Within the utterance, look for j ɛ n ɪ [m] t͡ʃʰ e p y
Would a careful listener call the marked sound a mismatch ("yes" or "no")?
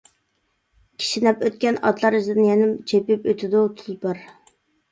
no